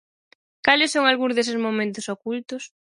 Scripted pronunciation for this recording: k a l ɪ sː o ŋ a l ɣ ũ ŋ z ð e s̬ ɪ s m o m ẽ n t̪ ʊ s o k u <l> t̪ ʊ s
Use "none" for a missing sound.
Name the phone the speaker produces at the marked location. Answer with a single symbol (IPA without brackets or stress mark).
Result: l